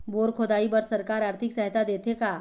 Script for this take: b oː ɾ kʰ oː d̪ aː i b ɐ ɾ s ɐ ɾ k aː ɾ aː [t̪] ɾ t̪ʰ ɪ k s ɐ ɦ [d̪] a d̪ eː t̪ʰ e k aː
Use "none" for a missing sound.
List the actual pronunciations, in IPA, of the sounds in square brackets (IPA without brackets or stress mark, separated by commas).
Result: none, t̪